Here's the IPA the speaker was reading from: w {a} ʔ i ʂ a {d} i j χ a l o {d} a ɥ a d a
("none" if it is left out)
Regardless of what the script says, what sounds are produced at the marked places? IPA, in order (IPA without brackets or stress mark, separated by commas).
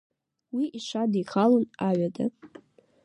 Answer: i, d, n